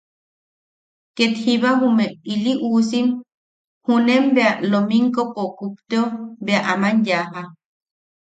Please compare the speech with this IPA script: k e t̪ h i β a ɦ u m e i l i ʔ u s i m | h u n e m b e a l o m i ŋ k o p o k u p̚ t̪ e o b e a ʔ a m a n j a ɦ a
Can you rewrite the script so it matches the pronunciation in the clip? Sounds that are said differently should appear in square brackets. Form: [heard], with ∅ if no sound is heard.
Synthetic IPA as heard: k e t̪ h i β a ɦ u m e i l i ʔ u s i m | h u n e m b e a l o m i ŋ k o p o k u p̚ t̪ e o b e a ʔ a m a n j a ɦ a

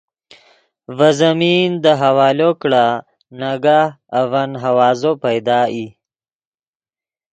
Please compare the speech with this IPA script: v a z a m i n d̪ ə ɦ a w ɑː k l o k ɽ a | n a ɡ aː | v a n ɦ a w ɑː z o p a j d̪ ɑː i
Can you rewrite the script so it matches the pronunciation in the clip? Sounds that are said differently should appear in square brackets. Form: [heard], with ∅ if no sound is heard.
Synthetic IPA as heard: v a z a m i n d̪ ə ɦ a w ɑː [∅] l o k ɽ a | n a ɡ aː | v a n ɦ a w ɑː z o p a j d̪ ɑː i

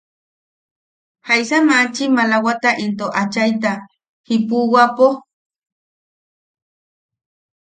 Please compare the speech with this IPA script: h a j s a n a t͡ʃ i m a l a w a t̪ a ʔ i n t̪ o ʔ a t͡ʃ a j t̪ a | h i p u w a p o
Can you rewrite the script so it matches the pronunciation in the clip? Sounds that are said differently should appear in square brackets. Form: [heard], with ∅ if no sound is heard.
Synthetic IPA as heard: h a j s a [m] a t͡ʃ i m a l a w a t̪ a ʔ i n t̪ o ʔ a t͡ʃ a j t̪ a | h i p u w a p o

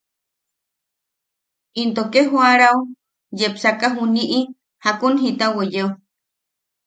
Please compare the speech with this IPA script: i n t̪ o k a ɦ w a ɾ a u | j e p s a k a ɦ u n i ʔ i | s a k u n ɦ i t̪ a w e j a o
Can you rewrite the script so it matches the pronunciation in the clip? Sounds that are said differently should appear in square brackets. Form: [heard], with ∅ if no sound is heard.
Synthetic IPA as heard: i n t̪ o k [e] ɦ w a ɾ a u | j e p s a k a ɦ u n i ʔ i | [h] a k u n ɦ i t̪ a w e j [e] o

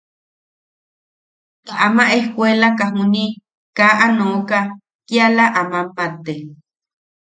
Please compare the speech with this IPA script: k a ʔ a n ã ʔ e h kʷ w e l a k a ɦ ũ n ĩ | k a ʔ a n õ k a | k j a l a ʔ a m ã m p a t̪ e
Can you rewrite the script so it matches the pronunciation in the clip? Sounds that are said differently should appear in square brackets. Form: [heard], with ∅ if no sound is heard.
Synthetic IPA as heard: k a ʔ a [m] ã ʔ e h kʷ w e l a k a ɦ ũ n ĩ | k a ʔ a n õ k a | k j a l a ʔ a m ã m p a t̪ e

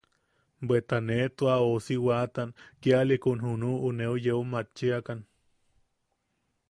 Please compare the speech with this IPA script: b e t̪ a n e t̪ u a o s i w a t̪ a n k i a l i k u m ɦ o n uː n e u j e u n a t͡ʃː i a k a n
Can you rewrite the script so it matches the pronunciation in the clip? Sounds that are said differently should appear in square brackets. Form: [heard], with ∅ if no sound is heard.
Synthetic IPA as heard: b e t̪ a n e t̪ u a o s i w a t̪ a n k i a l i k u [n] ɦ [u] n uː n e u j e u [m] a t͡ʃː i a k a n

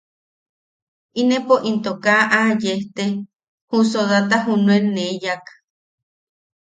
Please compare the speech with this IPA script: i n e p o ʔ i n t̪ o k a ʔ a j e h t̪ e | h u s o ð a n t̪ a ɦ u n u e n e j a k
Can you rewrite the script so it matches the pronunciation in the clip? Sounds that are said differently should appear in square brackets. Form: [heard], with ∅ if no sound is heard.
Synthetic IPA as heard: i n e p o ʔ i n t̪ o k a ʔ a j e h t̪ e | h u s o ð a [∅] t̪ a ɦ u n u e n e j a k

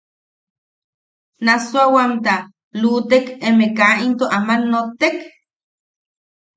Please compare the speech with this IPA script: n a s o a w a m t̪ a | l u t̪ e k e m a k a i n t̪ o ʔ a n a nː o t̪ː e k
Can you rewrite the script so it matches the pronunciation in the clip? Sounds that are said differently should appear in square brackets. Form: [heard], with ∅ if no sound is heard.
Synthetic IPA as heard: n a s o a w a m t̪ a | l u t̪ e k e m [e] k a i n t̪ o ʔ a [m] a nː o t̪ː e k

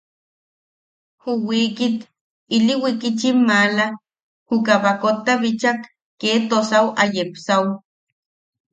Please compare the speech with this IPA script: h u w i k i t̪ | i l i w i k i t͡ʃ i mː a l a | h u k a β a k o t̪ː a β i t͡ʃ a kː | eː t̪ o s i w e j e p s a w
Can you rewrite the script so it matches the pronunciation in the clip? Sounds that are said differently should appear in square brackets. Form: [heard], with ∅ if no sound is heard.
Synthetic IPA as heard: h u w i k i t̪ | i l i w i k i t͡ʃ i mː a l a | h u k a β a k o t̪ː a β i t͡ʃ a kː | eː t̪ o s [a] w [a] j e p s a w

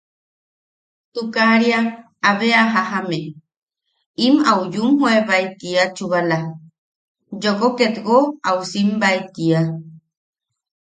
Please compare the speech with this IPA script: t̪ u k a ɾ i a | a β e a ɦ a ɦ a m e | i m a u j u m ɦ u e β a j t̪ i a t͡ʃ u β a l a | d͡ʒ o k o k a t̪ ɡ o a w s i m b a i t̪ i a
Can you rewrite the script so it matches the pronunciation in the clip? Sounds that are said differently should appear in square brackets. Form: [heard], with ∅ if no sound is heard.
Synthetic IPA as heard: t̪ u k a ɾ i a | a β e a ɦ a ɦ a m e | i m a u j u m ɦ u e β a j t̪ i a t͡ʃ u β a l a | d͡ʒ o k o k [e] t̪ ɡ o a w s i m b a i t̪ i a

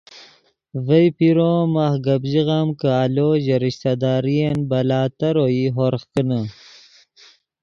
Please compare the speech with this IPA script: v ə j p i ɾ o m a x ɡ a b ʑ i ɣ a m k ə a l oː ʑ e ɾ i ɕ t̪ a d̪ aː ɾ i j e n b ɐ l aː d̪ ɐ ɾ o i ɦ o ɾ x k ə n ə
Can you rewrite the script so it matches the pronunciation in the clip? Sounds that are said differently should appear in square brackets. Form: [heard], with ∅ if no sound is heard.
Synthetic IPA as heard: v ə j p i ɾ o m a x ɡ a b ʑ i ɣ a m k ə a l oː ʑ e ɾ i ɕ t̪ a d̪ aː ɾ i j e n b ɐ l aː [t̪] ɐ ɾ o i ɦ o ɾ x k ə n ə

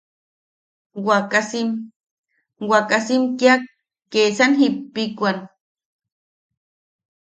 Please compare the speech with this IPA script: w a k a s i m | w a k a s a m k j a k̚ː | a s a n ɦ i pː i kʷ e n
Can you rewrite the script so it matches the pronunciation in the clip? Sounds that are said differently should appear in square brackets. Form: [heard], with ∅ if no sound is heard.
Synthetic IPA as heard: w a k a s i m | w a k a s [i] m k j a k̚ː | [e] s a n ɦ i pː i kʷ [a] n

